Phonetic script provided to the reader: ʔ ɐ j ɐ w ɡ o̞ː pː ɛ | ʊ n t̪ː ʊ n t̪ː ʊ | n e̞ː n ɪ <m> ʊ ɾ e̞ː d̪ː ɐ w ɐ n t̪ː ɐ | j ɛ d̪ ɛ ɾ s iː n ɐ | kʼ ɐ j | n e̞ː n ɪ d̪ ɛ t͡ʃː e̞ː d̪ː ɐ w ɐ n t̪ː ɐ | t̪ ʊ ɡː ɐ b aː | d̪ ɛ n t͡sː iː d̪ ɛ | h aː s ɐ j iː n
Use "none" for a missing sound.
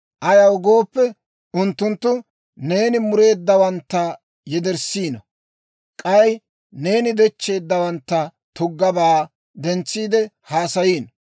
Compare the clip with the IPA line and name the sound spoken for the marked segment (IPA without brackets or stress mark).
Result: m